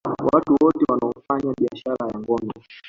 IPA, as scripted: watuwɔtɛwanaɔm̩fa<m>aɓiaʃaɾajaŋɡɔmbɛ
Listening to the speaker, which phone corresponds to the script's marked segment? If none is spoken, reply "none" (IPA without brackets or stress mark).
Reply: ɲ